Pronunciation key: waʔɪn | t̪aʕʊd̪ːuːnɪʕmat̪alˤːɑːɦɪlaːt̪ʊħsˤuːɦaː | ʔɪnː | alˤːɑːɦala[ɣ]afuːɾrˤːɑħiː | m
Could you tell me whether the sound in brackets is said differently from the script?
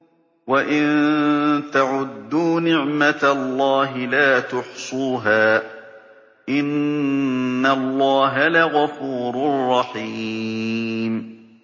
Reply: no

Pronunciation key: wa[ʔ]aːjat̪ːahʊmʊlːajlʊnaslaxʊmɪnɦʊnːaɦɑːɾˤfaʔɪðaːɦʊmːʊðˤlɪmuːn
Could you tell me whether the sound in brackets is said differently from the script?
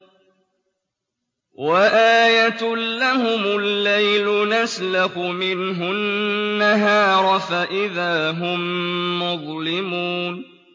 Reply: no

